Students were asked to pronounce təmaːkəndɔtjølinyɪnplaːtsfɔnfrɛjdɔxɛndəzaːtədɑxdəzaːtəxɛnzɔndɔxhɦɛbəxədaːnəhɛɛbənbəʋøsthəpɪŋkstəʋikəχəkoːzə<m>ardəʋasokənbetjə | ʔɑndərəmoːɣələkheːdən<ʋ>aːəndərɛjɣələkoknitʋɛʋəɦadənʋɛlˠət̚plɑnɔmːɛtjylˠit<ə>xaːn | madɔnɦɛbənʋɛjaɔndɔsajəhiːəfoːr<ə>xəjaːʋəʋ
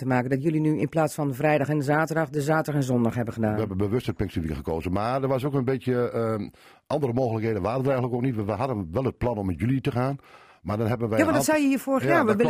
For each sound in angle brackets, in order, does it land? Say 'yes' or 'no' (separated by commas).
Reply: yes, yes, yes, yes